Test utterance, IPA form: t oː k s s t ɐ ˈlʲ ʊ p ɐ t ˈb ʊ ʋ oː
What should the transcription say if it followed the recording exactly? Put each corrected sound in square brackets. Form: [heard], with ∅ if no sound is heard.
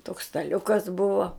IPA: t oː k s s t ɐ ˈlʲ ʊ [k] ɐ [s] ˈb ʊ ʋ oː